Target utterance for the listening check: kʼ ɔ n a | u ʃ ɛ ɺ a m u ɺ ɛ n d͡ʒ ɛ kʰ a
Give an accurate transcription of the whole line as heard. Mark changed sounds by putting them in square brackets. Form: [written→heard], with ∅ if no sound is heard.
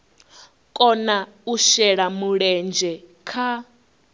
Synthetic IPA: kʼ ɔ n a | u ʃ ɛ ɺ a m u ɺ ɛ n d͡ʒ ɛ kʰ a

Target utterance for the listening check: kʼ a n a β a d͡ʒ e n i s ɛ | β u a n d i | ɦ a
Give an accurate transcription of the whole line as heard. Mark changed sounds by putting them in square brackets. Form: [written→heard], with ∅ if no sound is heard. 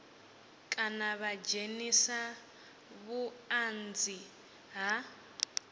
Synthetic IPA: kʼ a n a β a d͡ʒ e n i s [ɛ→a] | β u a n [d→d͡z] i | ɦ a

